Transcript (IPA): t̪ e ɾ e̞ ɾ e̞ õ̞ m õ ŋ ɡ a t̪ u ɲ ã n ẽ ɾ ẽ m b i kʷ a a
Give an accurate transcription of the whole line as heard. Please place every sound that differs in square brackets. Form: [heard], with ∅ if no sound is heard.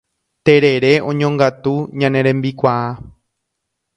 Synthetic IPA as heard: t̪ e ɾ e̞ ɾ e̞ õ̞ [ɲ] õ ŋ ɡ a t̪ u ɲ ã n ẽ ɾ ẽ m b i kʷ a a